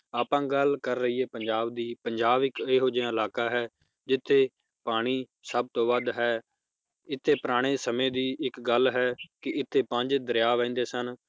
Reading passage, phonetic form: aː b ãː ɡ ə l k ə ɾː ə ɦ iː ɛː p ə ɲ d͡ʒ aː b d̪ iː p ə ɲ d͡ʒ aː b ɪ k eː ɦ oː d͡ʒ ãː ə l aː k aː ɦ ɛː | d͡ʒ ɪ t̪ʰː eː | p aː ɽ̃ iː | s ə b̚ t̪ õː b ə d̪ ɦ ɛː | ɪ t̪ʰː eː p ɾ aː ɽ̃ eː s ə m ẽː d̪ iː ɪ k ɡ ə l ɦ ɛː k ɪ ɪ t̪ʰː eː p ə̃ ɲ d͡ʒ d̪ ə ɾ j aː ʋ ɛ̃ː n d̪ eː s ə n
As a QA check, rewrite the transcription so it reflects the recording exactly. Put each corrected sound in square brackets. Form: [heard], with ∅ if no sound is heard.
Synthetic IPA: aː [p] ãː ɡ ə l k ə ɾː ə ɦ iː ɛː p ə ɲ d͡ʒ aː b d̪ iː p ə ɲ d͡ʒ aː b ɪ k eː ɦ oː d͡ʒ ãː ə l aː k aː ɦ ɛː | d͡ʒ ɪ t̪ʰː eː | p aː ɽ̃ iː | s ə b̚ t̪ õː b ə d̪ ɦ ɛː | ɪ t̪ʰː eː p ɾ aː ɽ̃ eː s ə m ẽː d̪ iː ɪ k ɡ ə l ɦ ɛː k ɪ ɪ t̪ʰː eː p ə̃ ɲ d͡ʒ d̪ ə ɾ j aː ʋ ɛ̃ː n d̪ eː s ə n